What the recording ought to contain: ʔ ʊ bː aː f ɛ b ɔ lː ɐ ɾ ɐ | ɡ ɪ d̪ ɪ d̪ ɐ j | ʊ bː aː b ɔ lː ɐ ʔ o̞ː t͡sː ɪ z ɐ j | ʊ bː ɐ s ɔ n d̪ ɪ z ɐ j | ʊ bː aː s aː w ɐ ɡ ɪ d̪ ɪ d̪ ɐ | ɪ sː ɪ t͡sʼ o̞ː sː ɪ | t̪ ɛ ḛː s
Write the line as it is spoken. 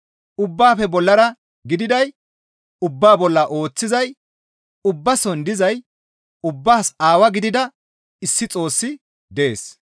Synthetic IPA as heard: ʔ ʊ bː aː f ɛ b ɔ lː ɐ ɾ ɐ | ɡ ɪ d̪ ɪ d̪ ɐ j | ʊ bː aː b ɔ lː ɐ ʔ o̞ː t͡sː ɪ z ɐ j | ʊ bː ɐ s ɔ n d̪ ɪ z ɐ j | ʊ bː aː s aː w ɐ ɡ ɪ d̪ ɪ d̪ ɐ | ɪ sː ɪ t͡sʼ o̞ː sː ɪ | d̪ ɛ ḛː s